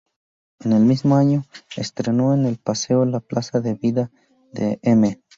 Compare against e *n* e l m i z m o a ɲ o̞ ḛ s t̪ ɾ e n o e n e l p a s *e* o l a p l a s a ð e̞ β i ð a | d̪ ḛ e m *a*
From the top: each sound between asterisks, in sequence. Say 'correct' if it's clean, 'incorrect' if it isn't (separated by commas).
correct, correct, incorrect